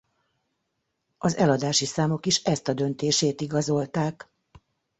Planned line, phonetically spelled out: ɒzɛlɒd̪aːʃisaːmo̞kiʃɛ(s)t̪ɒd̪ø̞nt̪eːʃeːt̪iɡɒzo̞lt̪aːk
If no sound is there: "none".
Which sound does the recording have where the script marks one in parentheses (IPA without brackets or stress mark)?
s